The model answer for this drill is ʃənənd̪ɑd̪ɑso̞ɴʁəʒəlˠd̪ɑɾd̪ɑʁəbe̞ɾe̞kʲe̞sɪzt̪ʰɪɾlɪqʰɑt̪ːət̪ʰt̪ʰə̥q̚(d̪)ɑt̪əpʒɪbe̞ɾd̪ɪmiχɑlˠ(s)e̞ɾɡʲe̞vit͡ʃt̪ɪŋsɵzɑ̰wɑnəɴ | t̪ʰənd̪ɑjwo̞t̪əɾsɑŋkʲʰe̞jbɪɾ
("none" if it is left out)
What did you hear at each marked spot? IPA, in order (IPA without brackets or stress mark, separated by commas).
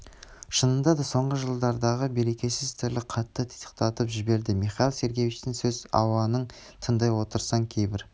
t̪, s